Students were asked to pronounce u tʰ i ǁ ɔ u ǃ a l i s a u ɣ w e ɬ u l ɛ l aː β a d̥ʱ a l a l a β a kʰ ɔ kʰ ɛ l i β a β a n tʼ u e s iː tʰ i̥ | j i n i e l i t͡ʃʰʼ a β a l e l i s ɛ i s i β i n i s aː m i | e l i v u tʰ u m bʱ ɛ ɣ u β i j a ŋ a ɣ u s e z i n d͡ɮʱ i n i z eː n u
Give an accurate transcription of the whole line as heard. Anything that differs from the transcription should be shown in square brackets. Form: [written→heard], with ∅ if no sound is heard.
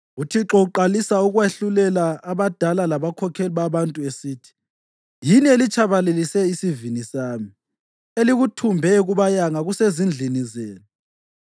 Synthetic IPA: u tʰ i ǁ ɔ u ǃ a l i s a u ɣ w e ɬ u l ɛ l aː β a d̥ʱ a l a l a β a kʰ ɔ kʰ ɛ l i β a β a n tʼ u e s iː tʰ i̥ | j i n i e l i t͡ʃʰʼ a β a l e l i s ɛ i s i [β→v] i n i s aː m i | e l i [v→ɣ] u tʰ u m bʱ ɛ ɣ u β [i→a] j a ŋ a ɣ u s e z i n d͡ɮʱ i n i z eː n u